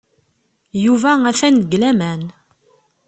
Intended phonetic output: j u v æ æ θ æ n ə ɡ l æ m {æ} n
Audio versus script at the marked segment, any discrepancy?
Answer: no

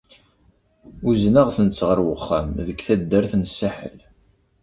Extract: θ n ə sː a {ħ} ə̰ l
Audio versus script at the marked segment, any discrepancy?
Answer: no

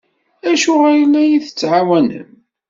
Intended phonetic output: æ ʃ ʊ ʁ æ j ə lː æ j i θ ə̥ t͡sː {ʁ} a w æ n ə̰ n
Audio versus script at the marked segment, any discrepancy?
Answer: yes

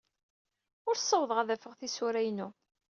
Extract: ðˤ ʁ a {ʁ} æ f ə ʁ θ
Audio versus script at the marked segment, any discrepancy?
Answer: yes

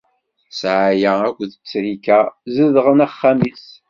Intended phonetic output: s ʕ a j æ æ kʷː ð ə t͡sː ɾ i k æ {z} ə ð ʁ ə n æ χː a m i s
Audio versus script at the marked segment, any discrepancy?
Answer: no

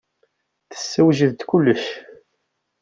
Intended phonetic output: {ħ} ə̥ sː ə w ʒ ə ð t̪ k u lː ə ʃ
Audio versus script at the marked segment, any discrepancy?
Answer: yes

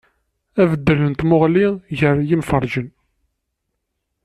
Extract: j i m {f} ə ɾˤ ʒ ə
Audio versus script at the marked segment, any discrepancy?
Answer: no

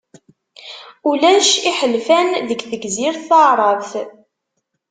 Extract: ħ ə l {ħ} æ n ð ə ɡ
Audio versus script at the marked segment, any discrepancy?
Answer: yes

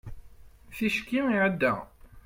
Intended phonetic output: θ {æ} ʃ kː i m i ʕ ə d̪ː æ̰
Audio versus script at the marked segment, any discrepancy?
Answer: yes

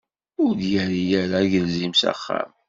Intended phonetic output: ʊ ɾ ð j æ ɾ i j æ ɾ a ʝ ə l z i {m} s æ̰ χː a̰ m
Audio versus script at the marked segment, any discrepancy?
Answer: no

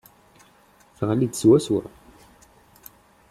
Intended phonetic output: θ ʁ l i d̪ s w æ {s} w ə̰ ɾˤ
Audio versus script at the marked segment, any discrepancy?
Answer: no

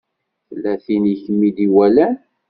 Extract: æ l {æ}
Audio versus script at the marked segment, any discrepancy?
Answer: no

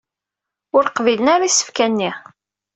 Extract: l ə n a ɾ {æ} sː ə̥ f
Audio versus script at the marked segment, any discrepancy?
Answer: yes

